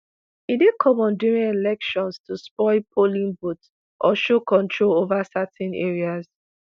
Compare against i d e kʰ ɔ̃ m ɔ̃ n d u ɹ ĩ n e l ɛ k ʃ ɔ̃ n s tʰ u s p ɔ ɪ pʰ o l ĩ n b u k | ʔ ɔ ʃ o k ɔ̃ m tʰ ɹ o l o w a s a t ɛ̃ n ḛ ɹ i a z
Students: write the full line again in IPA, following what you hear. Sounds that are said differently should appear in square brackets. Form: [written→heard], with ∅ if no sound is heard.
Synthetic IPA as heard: i d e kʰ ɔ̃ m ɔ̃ n d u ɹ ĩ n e l ɛ k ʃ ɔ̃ n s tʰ u s p ɔ ɪ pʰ o l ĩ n b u [k→t] | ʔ ɔ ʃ o k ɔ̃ [m→n] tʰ ɹ o l o [w→v] a s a t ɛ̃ n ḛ ɹ i a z